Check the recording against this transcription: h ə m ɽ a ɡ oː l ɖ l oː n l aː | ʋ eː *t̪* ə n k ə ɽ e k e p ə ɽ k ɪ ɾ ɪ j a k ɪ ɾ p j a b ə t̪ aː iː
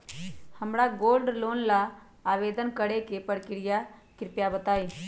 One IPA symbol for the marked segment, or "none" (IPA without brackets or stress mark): d̪